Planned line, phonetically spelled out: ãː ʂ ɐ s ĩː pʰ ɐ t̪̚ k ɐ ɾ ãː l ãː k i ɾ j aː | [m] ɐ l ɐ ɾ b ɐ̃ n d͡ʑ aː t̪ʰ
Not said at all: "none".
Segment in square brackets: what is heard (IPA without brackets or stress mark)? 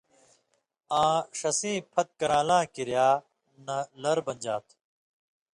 n